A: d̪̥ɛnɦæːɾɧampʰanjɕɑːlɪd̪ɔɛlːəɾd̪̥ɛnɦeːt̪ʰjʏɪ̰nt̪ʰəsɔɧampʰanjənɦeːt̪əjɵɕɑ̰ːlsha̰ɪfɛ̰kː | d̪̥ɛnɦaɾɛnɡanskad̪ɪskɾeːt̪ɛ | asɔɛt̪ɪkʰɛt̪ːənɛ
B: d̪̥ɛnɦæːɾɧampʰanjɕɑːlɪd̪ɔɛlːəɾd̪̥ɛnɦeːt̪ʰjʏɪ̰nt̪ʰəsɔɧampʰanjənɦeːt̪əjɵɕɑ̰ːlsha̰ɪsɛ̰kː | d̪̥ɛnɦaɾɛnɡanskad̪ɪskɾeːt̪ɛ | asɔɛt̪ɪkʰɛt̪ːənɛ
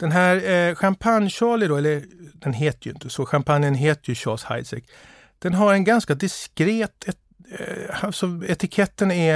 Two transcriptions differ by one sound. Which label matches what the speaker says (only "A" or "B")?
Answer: B